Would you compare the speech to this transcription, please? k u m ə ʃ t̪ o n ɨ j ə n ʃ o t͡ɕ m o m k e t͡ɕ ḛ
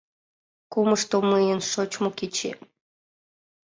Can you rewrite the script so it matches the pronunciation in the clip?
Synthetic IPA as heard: k u m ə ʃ t̪ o m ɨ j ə n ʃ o t͡ɕ m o k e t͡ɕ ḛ